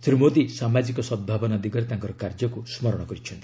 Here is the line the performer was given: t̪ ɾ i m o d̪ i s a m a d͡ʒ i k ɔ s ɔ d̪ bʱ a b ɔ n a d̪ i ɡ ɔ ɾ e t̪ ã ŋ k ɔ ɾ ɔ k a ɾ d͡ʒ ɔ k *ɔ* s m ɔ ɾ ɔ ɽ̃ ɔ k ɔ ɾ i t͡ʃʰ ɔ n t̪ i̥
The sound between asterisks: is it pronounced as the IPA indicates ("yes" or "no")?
no